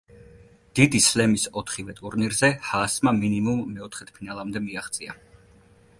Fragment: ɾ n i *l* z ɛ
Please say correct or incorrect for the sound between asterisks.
incorrect